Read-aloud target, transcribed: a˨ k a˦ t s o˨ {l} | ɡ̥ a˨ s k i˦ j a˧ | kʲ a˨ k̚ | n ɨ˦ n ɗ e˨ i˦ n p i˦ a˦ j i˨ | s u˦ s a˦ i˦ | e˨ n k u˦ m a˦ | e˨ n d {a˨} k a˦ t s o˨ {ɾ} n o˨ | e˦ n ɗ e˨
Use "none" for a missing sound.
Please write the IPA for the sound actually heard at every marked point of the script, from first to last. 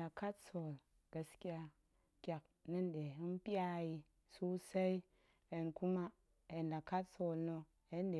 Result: l, a˨, l

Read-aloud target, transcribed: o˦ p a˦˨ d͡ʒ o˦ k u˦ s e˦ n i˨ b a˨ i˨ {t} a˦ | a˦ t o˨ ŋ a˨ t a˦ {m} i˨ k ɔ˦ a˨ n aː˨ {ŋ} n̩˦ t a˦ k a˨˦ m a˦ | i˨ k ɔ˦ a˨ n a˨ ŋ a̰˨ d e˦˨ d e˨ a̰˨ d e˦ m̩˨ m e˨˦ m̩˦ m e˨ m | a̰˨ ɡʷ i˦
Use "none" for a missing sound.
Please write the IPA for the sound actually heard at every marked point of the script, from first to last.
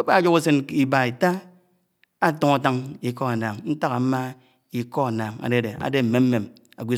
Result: t, ŋ, ŋ

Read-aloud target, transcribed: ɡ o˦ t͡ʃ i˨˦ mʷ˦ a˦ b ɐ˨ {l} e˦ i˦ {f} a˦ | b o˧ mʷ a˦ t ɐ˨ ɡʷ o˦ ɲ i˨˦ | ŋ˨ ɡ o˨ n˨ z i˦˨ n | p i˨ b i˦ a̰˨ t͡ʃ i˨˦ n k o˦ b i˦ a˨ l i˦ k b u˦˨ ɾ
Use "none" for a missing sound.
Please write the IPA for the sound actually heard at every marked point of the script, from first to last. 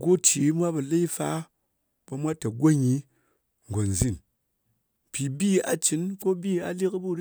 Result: l, f

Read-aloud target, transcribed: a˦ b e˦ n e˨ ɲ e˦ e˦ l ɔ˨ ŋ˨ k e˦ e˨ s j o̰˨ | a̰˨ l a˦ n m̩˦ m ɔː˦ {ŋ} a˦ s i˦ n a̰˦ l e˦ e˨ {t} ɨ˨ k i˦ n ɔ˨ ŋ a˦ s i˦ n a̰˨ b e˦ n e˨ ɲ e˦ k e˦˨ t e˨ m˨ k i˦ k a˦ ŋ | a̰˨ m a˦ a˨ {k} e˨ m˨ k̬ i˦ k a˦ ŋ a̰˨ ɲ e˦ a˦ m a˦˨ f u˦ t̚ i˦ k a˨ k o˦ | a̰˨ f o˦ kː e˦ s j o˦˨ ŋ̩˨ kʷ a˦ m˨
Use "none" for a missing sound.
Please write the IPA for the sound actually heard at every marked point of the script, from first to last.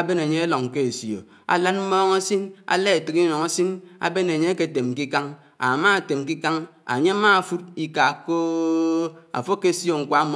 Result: ŋ, t, t

